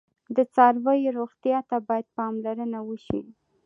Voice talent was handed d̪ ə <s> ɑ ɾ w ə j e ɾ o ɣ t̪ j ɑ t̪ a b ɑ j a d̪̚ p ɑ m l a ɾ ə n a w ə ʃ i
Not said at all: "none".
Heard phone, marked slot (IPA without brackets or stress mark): t͡s